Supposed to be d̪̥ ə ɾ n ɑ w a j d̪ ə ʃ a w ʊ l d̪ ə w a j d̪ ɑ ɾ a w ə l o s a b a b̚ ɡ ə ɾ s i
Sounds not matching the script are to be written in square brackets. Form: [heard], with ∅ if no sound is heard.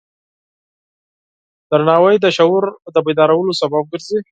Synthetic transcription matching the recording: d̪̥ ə ɾ n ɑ w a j d̪ ə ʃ a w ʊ [ɾ] d̪ ə [b] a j d̪ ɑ ɾ a w ə l o s a b a b̚ ɡ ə ɾ [z] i